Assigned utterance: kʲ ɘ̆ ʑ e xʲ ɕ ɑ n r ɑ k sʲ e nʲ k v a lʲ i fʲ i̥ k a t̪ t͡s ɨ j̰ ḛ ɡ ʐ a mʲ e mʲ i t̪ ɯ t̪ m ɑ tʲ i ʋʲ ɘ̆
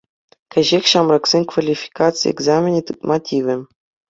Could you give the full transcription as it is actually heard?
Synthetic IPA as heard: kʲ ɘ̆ ʑ e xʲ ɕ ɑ m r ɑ k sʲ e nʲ k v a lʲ i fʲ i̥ k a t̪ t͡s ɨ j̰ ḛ ɡ z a mʲ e nʲ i t̪ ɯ t̪ m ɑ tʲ i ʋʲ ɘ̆